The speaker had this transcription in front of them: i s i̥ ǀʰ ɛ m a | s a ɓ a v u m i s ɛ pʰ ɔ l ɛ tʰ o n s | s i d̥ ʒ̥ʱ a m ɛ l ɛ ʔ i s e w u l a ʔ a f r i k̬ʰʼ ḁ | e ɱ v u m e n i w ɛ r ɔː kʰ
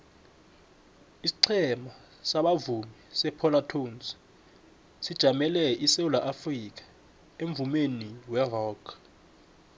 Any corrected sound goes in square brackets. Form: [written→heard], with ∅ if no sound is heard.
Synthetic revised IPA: i s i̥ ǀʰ ɛ m a | s a ɓ a v u m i s ɛ pʰ ɔ l [ɛ→a] tʰ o n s | s i d̥ ʒ̥ʱ a m ɛ l ɛ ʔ i s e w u l a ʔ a f r i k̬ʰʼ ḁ | e ɱ v u m e n i w ɛ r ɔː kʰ